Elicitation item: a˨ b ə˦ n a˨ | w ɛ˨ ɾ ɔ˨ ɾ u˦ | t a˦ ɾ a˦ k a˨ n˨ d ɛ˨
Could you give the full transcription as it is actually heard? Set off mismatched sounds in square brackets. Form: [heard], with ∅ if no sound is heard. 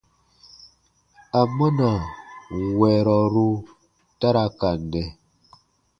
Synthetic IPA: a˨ [m] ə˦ n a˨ | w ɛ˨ ɾ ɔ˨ ɾ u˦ | t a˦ ɾ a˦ k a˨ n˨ d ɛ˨